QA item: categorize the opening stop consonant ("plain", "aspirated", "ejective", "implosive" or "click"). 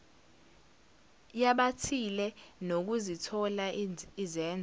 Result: implosive